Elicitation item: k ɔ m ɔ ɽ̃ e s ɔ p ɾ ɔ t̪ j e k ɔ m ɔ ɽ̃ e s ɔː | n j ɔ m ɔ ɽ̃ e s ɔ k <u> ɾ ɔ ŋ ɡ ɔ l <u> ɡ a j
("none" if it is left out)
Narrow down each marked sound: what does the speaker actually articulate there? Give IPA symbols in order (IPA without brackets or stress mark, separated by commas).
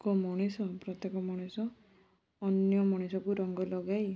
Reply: u, ɔ